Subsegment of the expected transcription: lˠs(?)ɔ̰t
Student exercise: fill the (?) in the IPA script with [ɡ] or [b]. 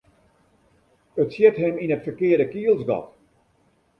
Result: ɡ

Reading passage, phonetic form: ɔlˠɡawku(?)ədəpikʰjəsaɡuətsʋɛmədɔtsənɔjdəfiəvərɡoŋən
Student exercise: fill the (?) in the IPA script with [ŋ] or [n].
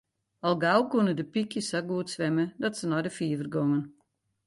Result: n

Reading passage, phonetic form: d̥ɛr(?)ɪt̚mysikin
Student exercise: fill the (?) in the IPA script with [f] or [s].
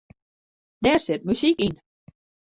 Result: s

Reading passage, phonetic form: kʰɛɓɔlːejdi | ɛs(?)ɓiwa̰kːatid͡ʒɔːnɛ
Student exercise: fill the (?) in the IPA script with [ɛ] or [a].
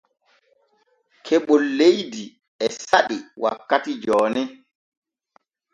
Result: a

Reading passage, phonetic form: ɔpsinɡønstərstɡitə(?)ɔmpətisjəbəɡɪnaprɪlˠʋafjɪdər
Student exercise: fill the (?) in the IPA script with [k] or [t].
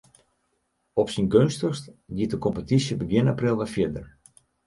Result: k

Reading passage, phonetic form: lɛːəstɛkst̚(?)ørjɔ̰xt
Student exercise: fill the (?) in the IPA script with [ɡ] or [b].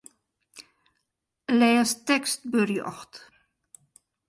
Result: b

